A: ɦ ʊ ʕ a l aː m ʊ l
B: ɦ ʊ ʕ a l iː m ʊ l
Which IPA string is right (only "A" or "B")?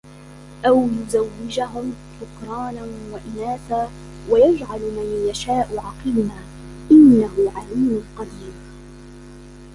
B